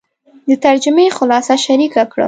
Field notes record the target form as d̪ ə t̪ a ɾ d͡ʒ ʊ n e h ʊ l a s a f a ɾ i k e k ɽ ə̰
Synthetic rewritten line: d̪ ə t̪ a ɾ d͡ʒ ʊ m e x ʊ l ɑ s a ʃ a ɾ i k a k ɽ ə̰